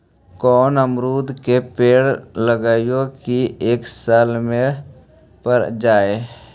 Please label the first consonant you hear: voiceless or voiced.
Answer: voiceless